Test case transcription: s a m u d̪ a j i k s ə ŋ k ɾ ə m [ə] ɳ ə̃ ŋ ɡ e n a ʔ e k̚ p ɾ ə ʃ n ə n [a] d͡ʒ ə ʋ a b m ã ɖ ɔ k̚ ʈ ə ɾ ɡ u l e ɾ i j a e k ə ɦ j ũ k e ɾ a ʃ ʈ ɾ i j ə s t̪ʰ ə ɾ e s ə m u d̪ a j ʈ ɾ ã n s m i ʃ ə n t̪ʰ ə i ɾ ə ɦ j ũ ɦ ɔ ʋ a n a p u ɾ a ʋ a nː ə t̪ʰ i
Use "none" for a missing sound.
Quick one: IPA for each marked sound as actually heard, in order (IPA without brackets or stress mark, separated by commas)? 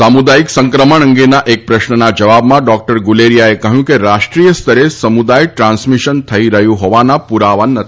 ə, a